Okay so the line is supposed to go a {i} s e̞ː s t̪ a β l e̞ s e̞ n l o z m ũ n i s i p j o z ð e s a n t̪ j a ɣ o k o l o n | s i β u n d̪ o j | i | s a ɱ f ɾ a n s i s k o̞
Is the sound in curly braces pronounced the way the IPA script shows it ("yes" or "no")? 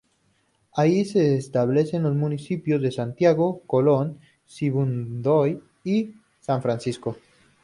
yes